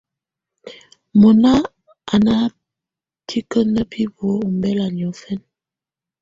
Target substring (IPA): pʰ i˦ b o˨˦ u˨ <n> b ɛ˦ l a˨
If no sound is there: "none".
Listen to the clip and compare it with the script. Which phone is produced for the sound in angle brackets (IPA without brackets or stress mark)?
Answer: m